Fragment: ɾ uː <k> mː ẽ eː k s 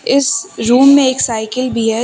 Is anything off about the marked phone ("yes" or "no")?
yes